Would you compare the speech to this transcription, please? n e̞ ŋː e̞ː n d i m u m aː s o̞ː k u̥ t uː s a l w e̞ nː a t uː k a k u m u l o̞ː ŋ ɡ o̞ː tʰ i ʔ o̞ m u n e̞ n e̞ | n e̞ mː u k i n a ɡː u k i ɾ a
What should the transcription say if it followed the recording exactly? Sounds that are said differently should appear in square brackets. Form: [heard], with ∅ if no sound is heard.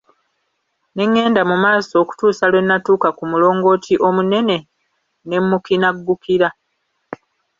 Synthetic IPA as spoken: n e̞ ŋː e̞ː n d [a] m u m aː s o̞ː k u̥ t uː s a l w e̞ nː a t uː k a k u m u l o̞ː ŋ ɡ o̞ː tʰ i ʔ o̞ m u n e̞ n e̞ | n e̞ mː u k i n a ɡː u k i ɾ a